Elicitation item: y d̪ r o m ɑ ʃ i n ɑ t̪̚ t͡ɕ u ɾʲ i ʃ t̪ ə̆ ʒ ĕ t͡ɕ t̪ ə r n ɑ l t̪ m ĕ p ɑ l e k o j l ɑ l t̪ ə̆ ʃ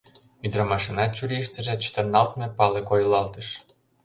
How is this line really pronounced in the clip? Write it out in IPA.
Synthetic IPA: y d̪ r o m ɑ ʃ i n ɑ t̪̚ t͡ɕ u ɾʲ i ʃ t̪ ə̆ ʒ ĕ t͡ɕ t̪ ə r n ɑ l t̪ m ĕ p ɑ l e k o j l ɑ l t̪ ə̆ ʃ